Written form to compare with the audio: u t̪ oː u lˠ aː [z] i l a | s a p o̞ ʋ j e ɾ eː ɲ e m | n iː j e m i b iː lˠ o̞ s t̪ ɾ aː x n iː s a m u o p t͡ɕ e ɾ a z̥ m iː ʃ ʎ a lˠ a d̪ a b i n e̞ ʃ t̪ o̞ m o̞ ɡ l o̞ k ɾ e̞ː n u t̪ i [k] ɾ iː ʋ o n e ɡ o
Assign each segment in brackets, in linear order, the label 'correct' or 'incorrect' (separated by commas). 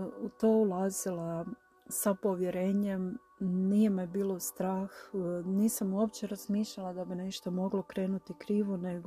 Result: correct, correct